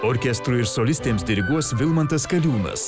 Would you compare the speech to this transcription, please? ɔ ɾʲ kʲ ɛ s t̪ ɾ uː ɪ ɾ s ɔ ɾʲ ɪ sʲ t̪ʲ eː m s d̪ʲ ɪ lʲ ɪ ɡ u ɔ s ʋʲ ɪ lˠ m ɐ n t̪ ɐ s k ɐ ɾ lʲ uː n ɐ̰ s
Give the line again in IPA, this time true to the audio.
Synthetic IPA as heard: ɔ ɾʲ kʲ ɛ s t̪ ɾ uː ɪ ɾ s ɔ lʲ ɪ sʲ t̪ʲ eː m s d̪ʲ ɪ ɾʲ ɪ ɡ u ɔ s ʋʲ ɪ lˠ m ɐ n t̪ ɐ s k ɐ lʲ uː n ɐ̰ s